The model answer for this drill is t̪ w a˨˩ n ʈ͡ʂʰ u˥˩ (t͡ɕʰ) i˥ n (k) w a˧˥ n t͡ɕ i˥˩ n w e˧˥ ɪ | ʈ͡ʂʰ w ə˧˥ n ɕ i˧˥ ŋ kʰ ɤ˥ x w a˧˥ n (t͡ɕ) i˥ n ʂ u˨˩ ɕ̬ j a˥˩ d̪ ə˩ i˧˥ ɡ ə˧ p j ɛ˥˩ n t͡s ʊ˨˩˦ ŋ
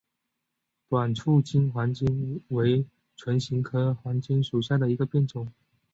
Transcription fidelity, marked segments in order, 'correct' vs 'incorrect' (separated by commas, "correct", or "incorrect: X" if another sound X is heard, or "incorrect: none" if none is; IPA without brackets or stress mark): incorrect: t͡ɕ, incorrect: x, correct